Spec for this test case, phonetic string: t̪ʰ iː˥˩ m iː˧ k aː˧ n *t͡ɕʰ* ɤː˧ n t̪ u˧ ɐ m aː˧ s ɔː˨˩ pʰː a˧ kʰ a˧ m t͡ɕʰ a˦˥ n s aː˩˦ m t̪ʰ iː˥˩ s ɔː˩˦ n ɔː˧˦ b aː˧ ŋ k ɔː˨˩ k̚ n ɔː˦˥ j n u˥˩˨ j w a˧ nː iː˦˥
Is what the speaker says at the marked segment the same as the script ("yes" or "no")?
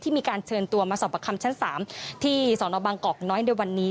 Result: yes